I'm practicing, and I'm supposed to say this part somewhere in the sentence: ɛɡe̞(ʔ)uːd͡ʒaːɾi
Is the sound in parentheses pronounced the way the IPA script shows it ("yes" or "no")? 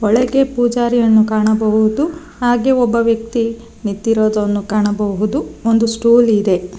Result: no